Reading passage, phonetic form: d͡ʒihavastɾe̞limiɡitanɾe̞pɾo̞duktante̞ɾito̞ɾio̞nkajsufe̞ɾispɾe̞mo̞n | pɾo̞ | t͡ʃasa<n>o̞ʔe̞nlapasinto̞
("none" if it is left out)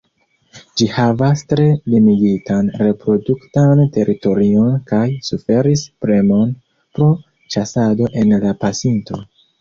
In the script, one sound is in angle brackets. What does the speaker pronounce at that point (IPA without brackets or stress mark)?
d